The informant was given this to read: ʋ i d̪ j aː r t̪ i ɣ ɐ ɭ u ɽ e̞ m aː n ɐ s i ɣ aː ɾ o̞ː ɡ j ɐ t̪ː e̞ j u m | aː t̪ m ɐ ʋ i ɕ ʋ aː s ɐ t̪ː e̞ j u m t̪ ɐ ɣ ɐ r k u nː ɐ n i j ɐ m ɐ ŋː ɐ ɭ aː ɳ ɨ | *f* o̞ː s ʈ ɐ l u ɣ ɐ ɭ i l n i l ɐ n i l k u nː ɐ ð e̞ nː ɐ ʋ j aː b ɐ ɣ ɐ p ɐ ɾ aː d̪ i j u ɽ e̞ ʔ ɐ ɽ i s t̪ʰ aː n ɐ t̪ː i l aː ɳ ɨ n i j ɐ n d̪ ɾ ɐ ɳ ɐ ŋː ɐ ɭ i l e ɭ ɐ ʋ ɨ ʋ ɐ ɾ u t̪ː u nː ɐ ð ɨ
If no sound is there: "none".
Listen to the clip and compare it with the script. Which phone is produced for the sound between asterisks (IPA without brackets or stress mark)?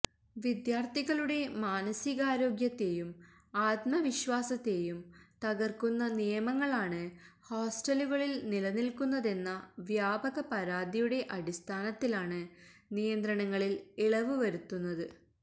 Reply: h